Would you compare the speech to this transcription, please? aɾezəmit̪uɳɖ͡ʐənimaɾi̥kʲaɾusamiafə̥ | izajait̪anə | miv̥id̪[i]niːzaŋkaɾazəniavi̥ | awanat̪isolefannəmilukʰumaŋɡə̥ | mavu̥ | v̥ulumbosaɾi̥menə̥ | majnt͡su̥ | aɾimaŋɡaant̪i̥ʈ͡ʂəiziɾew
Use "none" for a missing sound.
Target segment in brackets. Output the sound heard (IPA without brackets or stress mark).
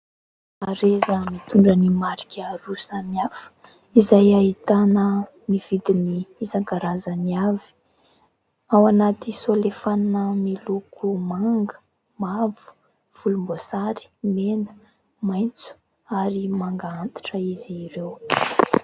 i